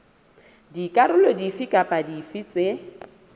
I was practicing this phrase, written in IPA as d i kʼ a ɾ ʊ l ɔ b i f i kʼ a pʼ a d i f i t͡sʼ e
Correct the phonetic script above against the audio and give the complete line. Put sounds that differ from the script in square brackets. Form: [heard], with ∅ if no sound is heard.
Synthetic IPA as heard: d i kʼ a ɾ ʊ l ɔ [d] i f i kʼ a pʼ a d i f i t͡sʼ e